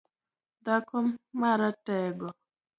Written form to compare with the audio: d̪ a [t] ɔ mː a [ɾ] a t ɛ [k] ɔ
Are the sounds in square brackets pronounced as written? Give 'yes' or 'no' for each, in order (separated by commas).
no, yes, no